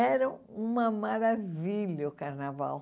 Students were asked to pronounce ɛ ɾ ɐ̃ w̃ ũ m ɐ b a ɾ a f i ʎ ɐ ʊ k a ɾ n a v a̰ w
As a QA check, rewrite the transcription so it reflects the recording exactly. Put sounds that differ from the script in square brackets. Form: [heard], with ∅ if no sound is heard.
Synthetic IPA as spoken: ɛ ɾ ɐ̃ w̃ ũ m ɐ [m] a ɾ a [v] i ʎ ɐ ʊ k a ɾ n a v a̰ w